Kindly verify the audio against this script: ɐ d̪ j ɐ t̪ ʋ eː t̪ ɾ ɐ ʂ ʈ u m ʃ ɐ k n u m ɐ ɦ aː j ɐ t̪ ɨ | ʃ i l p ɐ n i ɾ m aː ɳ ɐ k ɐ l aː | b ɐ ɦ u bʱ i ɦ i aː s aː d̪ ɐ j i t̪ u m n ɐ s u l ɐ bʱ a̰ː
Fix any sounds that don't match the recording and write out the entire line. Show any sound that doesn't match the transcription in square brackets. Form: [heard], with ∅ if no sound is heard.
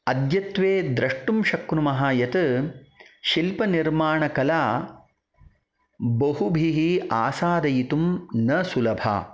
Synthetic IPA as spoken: ɐ d̪ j ɐ t̪ ʋ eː [d̪] ɾ ɐ ʂ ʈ u m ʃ ɐ k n u m ɐ ɦ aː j ɐ t̪ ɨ | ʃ i l p ɐ n i ɾ m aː ɳ ɐ k ɐ l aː | b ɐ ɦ u bʱ i ɦ i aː s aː d̪ ɐ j i t̪ u m n ɐ s u l ɐ bʱ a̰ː